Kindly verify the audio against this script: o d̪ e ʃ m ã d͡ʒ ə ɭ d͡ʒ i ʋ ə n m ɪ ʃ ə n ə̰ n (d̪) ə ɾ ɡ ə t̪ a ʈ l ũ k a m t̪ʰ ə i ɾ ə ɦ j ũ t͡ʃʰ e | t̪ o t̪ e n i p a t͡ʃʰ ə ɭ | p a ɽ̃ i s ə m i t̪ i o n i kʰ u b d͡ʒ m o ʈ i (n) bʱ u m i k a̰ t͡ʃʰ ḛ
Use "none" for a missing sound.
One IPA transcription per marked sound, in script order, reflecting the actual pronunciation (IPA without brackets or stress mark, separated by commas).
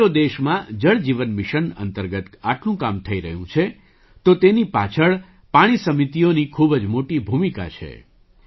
t̪, none